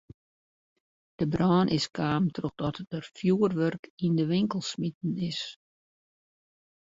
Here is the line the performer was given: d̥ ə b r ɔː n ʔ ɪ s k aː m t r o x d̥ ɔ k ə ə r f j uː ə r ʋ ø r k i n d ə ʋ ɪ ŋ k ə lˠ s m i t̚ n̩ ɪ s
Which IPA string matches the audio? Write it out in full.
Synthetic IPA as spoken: d̥ ə b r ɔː n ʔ ɪ s k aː m t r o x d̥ ɔ t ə ə r f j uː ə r ʋ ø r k i n d ə ʋ ɪ ŋ k ə lˠ s m i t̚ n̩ ɪ s